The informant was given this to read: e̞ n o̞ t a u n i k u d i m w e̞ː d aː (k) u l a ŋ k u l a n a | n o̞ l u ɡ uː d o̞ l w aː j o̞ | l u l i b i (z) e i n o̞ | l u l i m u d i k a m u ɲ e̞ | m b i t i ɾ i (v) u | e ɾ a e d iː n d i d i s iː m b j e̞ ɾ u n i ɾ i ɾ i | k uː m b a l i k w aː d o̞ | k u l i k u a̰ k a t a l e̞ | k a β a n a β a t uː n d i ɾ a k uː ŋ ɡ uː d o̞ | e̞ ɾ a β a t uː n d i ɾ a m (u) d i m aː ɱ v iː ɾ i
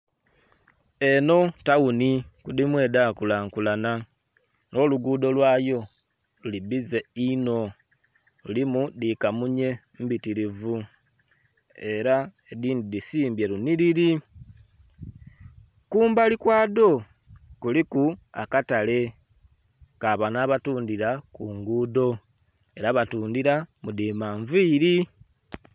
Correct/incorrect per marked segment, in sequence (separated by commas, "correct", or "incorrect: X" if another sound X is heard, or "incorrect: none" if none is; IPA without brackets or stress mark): correct, correct, correct, correct